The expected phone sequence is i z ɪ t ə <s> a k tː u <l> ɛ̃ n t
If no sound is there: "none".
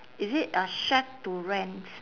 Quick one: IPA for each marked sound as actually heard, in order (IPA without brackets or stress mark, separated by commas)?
ʃ, ɹ